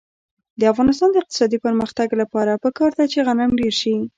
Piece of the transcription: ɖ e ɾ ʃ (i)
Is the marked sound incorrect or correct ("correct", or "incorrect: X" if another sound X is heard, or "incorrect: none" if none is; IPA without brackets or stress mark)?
correct